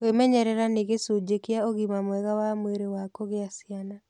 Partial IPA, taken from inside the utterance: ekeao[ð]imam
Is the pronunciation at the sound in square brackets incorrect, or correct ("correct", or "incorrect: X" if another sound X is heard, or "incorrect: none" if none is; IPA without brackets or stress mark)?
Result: incorrect: ɣ